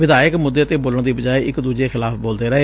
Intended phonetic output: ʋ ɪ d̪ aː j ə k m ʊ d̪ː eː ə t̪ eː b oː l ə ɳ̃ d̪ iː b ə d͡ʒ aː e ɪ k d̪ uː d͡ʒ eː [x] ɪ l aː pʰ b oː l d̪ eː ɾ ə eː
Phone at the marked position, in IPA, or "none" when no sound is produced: x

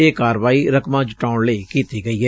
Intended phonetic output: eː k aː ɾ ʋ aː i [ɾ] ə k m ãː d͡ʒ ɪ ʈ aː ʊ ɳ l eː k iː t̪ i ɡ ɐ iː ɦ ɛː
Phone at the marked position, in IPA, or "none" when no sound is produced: ɾ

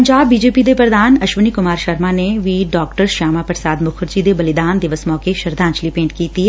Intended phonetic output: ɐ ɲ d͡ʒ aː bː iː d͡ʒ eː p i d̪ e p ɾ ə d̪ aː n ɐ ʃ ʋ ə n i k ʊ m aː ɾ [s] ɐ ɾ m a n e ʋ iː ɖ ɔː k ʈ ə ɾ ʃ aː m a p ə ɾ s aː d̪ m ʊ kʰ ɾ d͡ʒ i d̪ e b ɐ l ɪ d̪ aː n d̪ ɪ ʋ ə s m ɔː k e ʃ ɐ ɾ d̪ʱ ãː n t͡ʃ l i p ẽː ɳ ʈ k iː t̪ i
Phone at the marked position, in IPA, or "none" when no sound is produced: ʃ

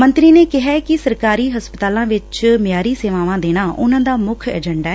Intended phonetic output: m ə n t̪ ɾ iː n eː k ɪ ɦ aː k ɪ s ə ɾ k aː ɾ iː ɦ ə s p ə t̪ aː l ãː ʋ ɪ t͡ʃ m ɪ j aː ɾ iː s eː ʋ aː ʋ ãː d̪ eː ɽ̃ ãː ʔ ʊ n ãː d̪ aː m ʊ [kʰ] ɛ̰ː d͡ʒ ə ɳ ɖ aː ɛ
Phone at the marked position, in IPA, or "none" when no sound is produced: kʰ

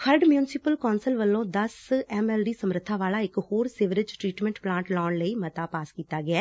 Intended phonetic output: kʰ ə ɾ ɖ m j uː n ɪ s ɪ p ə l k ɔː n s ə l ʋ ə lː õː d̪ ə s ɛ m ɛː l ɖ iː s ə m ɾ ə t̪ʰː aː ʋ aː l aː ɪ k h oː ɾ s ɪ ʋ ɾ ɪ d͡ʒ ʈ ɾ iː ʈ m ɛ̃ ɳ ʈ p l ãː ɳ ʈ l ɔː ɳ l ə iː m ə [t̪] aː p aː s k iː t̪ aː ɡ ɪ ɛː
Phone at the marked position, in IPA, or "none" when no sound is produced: t̪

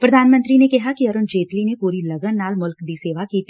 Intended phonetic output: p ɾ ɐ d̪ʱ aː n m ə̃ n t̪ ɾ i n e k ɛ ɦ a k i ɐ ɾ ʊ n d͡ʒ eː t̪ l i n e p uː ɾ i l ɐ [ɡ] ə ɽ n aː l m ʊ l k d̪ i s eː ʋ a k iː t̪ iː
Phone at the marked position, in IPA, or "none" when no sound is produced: ɡ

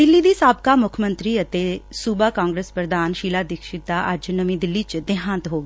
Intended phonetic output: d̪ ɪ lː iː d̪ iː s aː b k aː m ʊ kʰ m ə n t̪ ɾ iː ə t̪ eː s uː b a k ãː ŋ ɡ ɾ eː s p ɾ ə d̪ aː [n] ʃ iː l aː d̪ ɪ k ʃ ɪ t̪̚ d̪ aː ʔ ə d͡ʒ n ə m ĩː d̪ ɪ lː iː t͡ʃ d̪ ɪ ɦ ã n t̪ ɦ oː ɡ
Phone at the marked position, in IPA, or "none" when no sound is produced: n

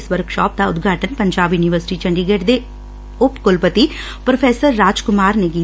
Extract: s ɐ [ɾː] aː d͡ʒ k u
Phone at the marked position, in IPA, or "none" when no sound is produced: ɾː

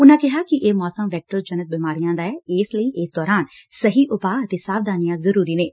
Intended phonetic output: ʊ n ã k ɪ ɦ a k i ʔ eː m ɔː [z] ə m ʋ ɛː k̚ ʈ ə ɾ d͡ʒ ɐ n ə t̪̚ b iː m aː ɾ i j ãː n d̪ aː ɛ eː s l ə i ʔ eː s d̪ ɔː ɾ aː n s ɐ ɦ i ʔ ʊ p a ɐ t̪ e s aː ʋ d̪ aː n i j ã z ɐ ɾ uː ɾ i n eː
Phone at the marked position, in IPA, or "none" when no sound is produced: s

